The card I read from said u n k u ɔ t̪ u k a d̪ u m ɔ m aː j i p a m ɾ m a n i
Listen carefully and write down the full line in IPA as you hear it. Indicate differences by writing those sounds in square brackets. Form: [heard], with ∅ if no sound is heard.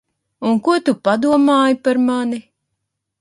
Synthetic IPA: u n k u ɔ t̪ u [p] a d̪ u [∅] ɔ m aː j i p a [∅] ɾ m a n i